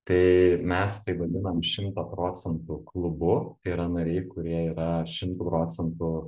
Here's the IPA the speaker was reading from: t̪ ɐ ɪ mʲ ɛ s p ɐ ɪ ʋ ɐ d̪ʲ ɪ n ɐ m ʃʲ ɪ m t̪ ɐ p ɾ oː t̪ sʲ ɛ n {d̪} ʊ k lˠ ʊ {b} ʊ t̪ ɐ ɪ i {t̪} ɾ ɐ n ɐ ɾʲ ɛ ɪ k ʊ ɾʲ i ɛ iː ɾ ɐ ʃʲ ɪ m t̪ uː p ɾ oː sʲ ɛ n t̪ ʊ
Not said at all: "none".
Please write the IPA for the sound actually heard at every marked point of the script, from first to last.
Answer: t̪, b, none

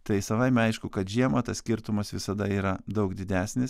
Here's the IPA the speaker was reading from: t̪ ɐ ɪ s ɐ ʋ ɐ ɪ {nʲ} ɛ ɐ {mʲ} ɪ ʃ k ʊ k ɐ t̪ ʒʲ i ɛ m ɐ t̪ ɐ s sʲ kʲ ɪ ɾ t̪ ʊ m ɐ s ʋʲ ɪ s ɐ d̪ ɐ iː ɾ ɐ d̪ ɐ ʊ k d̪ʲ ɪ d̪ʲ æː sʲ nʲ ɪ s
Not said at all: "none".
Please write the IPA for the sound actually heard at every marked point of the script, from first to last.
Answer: mʲ, none

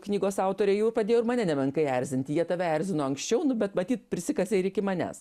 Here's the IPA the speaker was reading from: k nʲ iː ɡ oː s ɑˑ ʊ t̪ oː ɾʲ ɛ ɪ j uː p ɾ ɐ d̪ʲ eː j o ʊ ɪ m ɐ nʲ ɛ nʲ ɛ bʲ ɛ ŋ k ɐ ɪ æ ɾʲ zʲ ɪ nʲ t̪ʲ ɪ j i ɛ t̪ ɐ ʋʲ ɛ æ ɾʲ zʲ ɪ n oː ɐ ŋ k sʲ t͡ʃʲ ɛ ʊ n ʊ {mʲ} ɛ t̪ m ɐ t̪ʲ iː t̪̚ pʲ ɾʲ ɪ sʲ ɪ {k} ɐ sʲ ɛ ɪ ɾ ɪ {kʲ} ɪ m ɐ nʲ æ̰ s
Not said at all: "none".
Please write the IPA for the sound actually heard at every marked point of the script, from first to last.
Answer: bʲ, k, kʲ

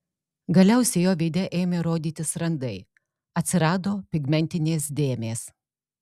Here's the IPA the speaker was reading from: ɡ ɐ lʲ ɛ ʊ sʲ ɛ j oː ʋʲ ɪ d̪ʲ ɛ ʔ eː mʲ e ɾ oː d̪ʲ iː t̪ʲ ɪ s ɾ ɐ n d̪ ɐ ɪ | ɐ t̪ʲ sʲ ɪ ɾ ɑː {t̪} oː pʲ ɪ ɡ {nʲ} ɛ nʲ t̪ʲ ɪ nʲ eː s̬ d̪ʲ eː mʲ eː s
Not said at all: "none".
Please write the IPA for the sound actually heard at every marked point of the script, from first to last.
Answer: d̪, mʲ

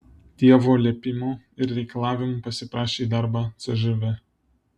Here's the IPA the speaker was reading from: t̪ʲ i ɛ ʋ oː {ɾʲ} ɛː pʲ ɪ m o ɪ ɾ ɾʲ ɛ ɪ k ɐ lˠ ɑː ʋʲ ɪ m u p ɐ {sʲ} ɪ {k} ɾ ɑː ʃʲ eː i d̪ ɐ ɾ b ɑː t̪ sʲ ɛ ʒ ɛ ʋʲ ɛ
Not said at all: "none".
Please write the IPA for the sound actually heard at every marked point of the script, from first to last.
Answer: lʲ, sʲ, p

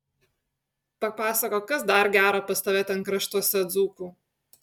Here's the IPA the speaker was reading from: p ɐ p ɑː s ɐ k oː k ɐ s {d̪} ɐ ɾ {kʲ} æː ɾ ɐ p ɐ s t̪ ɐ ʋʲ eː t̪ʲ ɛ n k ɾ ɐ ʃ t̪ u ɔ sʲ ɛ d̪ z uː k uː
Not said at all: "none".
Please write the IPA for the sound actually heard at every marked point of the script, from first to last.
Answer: d̪, ɡʲ

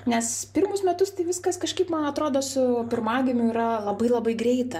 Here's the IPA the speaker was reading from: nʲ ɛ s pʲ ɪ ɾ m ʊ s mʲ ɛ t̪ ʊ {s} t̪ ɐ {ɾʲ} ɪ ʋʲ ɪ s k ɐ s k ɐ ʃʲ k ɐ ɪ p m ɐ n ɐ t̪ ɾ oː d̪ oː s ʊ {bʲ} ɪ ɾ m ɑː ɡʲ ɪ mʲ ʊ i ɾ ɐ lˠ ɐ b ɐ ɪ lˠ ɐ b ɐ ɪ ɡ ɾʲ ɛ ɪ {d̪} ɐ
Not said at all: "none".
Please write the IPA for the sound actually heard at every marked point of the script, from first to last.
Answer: s, none, pʲ, t̪

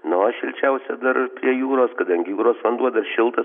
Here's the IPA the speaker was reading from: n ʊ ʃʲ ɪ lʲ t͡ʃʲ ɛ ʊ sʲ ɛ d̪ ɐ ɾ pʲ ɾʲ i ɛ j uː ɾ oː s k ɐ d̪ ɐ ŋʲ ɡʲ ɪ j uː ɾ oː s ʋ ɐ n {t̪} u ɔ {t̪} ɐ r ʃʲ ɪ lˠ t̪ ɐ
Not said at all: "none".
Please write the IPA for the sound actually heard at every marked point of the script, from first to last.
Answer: d̪, d̪

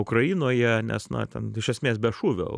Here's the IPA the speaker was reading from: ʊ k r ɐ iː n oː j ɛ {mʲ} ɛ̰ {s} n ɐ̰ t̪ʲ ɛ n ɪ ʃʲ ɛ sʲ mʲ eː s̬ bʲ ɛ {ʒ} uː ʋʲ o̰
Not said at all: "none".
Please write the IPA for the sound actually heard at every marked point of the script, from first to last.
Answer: nʲ, s, ʃ

